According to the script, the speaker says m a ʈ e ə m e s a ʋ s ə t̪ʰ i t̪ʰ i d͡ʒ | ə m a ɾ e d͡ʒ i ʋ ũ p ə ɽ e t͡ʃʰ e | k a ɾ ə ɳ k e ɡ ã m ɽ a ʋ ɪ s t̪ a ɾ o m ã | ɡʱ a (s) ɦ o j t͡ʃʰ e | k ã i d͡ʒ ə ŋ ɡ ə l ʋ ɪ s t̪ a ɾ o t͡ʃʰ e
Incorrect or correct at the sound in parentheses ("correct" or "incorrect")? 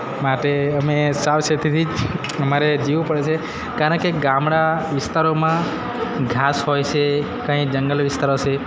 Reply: correct